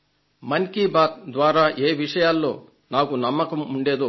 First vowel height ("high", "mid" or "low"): low